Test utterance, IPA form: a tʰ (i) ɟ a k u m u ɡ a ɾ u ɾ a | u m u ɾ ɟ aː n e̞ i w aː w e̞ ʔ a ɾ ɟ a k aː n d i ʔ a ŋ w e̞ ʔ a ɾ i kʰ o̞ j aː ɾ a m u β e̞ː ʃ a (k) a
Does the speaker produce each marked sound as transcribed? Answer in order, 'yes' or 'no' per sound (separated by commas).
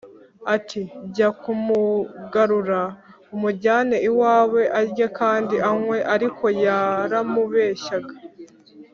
yes, no